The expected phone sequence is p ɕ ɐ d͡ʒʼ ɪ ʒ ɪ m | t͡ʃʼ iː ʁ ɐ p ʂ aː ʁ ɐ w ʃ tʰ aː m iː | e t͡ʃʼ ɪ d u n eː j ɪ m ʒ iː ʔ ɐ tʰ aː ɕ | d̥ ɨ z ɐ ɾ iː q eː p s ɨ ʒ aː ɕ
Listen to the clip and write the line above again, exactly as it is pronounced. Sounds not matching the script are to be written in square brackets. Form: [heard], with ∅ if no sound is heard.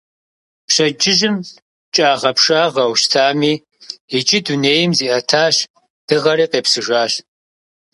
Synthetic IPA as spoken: p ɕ ɐ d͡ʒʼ ɪ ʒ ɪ m | t͡ʃʼ [aː] ʁ ɐ p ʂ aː ʁ ɐ w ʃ tʰ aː m iː | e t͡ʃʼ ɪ d u n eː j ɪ m [z] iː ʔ ɐ tʰ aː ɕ | d̥ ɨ [ʁ] ɐ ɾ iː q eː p s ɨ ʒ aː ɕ